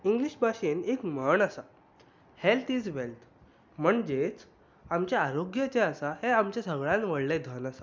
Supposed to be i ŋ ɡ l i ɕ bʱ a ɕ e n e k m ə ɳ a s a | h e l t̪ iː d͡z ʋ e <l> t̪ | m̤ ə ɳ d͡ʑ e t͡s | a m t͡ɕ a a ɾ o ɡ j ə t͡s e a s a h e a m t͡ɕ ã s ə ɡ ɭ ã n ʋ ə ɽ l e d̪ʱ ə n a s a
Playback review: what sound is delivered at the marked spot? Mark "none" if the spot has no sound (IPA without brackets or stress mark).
l